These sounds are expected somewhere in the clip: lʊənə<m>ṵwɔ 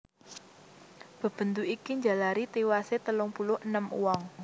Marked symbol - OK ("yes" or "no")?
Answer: yes